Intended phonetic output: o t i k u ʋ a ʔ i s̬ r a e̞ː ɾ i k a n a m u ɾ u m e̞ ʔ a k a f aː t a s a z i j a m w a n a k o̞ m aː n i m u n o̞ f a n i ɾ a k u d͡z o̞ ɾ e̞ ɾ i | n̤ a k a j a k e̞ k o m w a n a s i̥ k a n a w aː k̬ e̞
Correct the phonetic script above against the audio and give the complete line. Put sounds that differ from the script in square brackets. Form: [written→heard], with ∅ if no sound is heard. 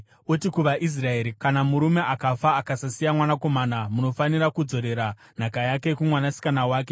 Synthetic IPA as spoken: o t i k u ʋ a ʔ i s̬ r a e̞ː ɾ i k a n a m u ɾ u m e̞ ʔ a k a f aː [t→k] a s a [z→s] i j a m w a n a k o̞ m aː n [i→a] m u n o̞ f a n i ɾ a k u d͡z o̞ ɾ e̞ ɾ [i→a] | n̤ a k a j a k e̞ k [o→u] m w a n a s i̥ k a n a w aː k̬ e̞